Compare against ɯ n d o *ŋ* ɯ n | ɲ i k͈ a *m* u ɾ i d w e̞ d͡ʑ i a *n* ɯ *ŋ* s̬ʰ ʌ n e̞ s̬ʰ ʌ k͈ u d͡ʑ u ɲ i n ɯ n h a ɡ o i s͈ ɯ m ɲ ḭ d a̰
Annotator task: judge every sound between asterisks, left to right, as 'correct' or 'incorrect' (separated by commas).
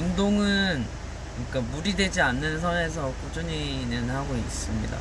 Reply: correct, correct, incorrect, incorrect